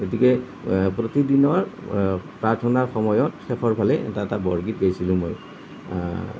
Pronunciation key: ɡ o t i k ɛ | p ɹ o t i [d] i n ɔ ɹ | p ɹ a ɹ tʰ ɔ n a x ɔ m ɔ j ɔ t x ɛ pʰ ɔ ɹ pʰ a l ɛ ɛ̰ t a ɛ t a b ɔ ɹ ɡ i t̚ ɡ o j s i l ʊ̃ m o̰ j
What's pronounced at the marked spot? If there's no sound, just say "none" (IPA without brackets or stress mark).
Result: d